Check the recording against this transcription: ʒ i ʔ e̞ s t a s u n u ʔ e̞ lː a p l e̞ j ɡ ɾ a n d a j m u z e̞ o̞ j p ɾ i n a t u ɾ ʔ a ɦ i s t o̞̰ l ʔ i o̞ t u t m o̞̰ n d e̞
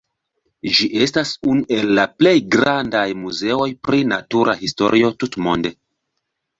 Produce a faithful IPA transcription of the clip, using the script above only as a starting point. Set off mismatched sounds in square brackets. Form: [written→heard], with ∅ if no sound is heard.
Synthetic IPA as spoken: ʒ i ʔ e̞ s t a s u n u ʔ e̞ lː a p l e̞ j ɡ ɾ a n d a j m u z e̞ o̞ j p ɾ i n a t u ɾ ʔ a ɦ i s t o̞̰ [l→ɾ] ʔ i o̞ t u t m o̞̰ n d e̞